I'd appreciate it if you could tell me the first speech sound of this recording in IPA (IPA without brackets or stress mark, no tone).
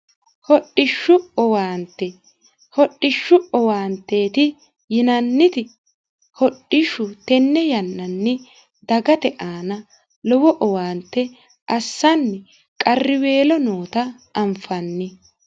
h